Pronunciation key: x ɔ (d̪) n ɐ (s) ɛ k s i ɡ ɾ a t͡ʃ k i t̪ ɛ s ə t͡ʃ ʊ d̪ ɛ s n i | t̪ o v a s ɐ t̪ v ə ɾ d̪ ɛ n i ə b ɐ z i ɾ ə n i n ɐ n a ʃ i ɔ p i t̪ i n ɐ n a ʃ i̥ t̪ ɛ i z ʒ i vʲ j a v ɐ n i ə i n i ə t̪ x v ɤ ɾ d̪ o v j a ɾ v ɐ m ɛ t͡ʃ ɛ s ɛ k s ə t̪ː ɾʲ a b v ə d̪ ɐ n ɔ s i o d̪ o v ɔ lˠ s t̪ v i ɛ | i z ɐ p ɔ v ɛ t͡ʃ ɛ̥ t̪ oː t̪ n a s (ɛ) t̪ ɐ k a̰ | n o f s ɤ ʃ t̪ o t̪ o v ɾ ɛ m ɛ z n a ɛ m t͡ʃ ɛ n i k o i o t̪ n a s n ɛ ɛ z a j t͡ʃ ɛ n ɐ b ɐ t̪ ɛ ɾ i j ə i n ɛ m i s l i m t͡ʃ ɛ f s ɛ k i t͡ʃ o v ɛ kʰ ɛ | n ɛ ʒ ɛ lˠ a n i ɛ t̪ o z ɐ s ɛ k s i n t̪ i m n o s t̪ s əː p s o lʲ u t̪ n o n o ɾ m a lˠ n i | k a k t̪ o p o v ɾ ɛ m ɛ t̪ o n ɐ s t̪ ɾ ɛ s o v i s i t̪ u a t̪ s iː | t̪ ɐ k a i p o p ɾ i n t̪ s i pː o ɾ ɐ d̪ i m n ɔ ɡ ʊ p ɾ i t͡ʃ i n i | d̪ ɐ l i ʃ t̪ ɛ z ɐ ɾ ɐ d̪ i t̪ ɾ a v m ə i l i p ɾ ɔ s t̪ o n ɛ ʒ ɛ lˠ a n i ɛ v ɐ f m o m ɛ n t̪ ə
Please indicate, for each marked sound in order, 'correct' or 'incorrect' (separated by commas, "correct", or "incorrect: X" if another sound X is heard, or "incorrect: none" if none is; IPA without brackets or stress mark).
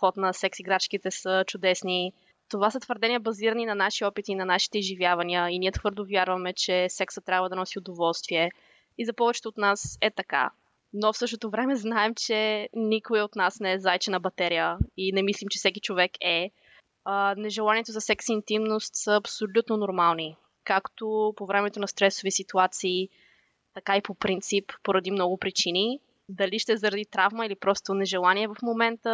incorrect: t̪, correct, correct